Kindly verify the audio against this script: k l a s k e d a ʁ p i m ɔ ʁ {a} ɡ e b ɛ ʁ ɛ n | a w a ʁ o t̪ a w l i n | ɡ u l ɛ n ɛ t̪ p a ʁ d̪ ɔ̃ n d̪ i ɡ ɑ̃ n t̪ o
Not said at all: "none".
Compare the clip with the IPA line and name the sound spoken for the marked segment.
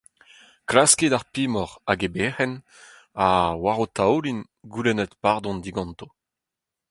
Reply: a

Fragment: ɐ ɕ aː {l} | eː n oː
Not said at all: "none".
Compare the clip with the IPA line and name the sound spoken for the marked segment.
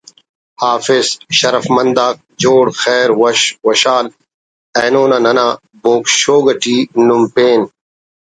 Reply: l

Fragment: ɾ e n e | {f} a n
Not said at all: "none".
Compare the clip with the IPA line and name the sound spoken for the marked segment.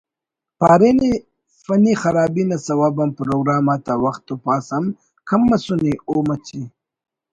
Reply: f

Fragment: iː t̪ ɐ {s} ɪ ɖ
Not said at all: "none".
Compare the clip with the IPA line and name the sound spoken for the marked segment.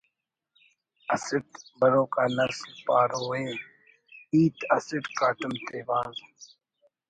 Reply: s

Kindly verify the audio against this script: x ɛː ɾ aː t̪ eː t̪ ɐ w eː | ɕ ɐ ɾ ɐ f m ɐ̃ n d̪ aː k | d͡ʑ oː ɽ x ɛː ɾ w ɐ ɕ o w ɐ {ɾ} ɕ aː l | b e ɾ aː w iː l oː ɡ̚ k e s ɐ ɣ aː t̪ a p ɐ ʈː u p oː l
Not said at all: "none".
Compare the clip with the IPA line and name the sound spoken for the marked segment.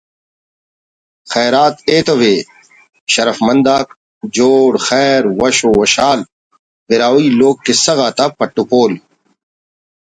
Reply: none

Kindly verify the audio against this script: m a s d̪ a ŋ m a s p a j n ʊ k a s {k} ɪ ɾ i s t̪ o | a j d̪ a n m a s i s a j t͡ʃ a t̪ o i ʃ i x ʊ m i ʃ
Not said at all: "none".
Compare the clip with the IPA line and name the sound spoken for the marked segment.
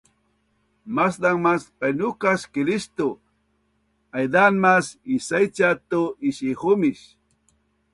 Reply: k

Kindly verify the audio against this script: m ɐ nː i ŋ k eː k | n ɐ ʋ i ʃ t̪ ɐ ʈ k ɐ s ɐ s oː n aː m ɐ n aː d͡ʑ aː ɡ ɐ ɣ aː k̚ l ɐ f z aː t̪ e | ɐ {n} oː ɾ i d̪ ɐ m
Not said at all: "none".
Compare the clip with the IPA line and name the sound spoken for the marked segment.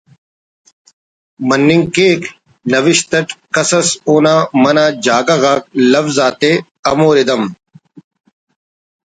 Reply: m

